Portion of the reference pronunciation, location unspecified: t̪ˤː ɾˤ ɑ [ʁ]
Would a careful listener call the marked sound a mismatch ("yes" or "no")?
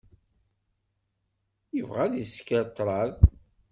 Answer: yes